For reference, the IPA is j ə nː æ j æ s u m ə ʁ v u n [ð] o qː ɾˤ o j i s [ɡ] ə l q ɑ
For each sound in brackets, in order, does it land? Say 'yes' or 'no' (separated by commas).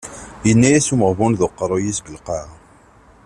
yes, yes